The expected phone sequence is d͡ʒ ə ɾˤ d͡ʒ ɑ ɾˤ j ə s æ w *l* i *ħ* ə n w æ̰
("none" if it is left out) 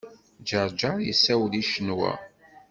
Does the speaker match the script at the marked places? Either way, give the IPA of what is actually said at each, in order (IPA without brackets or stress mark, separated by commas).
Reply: l, ʃ